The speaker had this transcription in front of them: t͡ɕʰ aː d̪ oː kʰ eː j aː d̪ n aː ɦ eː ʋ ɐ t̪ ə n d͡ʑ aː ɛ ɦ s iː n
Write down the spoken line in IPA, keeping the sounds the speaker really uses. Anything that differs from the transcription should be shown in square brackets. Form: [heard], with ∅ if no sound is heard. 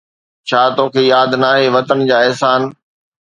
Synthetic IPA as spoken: t͡ɕʰ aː [t̪] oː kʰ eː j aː d̪ n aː ɦ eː ʋ ɐ t̪ ə n d͡ʑ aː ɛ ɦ s [aː] n